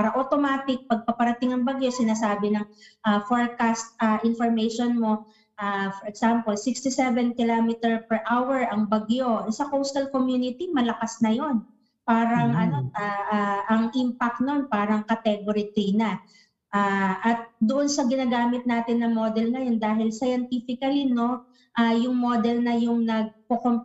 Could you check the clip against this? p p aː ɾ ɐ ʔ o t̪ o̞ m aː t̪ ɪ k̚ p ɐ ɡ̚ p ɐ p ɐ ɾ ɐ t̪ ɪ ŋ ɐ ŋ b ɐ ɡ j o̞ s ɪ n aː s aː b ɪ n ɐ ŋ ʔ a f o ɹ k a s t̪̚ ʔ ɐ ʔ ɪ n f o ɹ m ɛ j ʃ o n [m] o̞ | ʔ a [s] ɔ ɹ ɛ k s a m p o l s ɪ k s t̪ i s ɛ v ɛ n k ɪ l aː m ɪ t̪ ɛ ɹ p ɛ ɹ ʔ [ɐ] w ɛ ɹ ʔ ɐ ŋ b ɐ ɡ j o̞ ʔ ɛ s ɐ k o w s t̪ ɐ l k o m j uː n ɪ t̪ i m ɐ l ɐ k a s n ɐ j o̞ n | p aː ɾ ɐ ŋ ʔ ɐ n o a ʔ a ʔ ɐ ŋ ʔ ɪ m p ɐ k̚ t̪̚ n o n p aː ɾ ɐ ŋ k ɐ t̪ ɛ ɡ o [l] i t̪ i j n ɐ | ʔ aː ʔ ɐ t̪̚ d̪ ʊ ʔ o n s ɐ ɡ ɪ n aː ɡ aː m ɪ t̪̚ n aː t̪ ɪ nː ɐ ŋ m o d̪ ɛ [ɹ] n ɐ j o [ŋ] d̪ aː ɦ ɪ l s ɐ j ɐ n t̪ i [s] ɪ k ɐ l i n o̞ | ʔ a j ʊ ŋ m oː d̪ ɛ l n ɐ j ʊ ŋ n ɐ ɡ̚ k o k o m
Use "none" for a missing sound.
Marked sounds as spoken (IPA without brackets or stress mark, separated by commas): m, f, a, ɾ, l, n, f